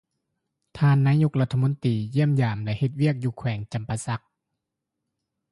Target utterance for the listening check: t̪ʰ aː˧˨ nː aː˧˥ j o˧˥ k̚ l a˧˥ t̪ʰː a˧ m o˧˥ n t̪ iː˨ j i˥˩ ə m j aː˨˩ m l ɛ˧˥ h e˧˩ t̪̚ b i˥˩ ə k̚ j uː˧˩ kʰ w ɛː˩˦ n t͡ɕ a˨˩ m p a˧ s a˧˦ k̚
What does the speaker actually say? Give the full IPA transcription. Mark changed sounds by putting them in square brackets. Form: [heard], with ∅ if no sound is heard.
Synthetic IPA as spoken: t̪ʰ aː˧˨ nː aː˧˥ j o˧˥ k̚ l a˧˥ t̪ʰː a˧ m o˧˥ n t̪ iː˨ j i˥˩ ə m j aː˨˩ m l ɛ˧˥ h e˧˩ t̪̚ [w] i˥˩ ə k̚ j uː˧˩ kʰ w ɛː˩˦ [ŋ] t͡ɕ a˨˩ m p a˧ s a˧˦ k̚